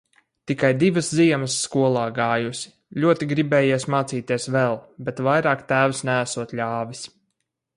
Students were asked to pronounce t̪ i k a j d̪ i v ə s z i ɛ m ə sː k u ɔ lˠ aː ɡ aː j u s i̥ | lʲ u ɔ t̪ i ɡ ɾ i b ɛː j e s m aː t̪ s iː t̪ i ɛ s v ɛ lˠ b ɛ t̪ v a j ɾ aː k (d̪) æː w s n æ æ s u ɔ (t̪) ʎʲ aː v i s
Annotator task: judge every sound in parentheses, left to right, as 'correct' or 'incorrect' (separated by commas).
incorrect, correct